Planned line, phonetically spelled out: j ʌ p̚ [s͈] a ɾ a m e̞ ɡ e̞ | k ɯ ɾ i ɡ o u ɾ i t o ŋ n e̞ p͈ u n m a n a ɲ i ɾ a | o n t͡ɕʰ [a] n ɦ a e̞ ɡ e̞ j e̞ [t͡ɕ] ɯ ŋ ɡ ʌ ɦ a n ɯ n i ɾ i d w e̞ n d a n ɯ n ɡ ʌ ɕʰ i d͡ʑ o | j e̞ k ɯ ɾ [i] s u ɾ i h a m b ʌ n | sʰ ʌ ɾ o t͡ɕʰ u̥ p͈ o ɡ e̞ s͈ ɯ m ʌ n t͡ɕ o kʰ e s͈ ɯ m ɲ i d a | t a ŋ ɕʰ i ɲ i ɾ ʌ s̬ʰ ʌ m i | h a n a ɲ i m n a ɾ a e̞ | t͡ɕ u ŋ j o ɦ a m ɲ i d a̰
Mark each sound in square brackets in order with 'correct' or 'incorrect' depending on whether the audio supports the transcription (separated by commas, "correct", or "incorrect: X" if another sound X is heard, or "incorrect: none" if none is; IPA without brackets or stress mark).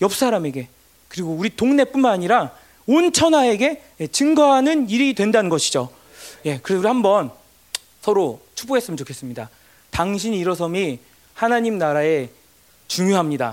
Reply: correct, incorrect: ʌ, correct, incorrect: e